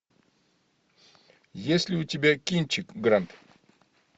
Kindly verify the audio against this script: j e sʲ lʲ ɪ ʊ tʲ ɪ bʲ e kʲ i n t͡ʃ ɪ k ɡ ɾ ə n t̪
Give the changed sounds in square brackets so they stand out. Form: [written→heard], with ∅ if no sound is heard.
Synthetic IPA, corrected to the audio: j e sʲ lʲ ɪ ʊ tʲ ɪ bʲ [e→a] kʲ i n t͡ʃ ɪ k ɡ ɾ [ə→a] n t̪